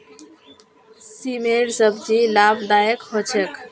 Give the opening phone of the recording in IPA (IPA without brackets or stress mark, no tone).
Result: s